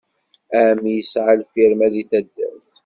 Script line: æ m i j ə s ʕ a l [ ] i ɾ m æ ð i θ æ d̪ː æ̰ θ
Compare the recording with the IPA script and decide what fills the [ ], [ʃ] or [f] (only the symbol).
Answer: f